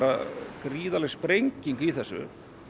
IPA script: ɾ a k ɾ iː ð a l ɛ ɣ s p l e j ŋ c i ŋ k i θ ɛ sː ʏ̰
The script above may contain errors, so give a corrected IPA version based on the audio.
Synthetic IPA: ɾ a k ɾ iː ð a l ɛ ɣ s p ɾ e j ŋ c i ŋ k i θ ɛ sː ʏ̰